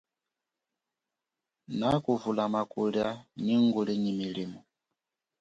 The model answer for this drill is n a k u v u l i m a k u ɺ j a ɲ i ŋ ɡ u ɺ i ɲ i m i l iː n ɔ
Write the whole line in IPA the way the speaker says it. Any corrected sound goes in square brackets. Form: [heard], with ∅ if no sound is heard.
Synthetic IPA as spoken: n a k u v u l [a] m a k u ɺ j a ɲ i ŋ ɡ u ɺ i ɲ i m i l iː [m] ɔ